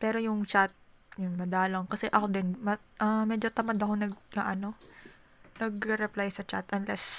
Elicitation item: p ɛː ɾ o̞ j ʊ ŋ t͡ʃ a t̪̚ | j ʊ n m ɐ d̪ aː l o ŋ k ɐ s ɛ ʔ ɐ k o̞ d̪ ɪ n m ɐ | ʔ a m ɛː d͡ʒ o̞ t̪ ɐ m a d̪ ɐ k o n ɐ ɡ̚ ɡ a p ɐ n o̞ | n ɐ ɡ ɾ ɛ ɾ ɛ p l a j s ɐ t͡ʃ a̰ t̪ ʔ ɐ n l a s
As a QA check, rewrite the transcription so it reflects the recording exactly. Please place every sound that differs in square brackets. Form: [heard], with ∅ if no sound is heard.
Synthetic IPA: p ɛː ɾ o̞ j ʊ ŋ t͡ʃ a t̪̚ | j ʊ n m ɐ d̪ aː l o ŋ k ɐ s ɛ ʔ ɐ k o̞ d̪ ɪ n m ɐ | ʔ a m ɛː d͡ʒ o̞ t̪ ɐ m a d̪ ɐ k o n ɐ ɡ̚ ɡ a [ʔ] ɐ n o̞ | n ɐ ɡ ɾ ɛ ɾ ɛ p l a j s ɐ t͡ʃ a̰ t̪ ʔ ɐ n l [ɛ] s